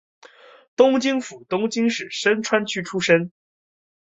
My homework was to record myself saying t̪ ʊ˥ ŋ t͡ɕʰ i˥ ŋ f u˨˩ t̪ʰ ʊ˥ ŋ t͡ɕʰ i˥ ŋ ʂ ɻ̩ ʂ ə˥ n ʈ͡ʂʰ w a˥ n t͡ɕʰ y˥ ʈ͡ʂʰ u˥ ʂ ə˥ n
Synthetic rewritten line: t̪ ʊ˥ ŋ t͡ɕ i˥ ŋ f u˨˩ t̪ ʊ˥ ŋ t͡ɕ i˥ ŋ ʂ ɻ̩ ʂ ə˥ n ʈ͡ʂʰ w a˥ n t͡ɕʰ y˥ ʈ͡ʂʰ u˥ ʂ ə˥ n